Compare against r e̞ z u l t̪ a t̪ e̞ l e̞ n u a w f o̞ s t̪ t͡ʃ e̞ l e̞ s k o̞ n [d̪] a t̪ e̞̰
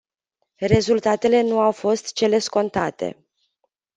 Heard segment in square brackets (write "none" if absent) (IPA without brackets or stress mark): t̪